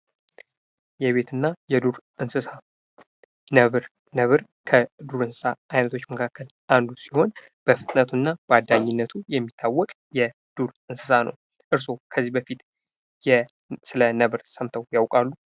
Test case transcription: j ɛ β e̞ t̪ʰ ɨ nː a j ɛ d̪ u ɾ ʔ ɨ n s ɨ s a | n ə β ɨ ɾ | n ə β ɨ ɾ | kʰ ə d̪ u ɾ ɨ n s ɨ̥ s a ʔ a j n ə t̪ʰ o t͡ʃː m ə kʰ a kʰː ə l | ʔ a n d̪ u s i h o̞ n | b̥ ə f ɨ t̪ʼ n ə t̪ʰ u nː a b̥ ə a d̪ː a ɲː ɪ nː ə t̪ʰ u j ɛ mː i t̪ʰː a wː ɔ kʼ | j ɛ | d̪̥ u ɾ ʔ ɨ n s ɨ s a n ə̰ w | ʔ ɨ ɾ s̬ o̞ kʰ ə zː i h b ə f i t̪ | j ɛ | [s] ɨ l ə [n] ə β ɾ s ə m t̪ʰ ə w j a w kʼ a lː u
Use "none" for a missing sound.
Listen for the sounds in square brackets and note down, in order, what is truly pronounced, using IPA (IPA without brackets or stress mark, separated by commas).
s, n